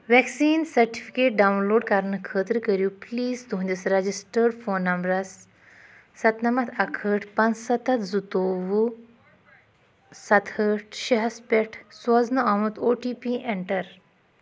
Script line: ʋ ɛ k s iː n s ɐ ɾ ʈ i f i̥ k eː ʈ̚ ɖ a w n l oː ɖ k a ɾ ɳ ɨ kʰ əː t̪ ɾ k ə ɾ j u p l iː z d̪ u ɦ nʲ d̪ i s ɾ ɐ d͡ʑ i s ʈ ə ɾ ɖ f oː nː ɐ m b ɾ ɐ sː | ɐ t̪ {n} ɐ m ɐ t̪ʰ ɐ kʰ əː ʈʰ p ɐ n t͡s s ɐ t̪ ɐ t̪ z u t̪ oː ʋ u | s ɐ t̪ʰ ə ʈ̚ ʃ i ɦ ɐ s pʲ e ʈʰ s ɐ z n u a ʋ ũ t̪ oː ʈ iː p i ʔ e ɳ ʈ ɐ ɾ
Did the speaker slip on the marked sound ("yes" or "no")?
no